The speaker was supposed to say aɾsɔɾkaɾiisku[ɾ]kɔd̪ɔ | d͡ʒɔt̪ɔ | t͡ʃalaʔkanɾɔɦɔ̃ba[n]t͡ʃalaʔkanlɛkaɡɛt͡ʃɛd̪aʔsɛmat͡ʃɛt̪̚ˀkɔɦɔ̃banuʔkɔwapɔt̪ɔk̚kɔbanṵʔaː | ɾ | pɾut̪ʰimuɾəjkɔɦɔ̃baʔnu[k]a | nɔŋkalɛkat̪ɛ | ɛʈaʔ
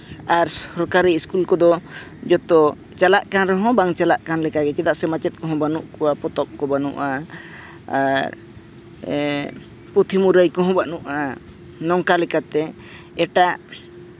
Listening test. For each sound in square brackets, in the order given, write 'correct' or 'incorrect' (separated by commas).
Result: incorrect, incorrect, incorrect